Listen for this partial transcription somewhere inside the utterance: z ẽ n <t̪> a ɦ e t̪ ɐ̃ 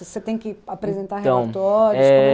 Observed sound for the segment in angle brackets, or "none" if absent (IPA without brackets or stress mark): t̪